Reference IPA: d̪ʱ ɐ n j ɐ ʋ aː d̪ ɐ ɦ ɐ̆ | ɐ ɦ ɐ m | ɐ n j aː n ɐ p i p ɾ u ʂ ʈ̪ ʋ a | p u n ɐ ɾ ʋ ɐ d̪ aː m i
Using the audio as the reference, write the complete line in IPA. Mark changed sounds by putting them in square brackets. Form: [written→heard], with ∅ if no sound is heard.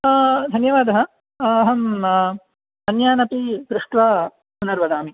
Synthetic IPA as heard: d̪ʱ ɐ n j ɐ ʋ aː d̪ ɐ ɦ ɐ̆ | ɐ ɦ ɐ m | ɐ n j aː n ɐ p i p ɾ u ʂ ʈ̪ ʋ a | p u n ɐ ɾ ʋ ɐ d̪ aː m i